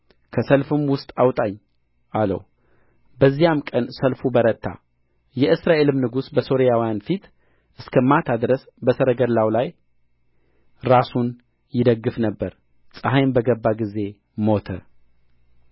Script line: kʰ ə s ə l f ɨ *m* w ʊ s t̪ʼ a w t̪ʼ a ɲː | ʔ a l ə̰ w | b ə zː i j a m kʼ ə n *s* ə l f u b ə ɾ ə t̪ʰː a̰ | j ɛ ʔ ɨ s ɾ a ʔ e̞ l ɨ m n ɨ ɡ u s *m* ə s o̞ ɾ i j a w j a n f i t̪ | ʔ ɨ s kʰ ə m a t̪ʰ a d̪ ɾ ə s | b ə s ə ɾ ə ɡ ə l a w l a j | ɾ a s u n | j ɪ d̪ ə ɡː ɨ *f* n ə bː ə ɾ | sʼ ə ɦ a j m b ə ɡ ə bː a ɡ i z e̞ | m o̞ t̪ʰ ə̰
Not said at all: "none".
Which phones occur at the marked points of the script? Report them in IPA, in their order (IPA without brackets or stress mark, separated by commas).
m, s, b, f